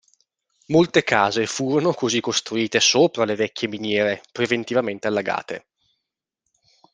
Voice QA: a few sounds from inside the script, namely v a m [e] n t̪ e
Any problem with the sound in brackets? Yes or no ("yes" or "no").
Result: no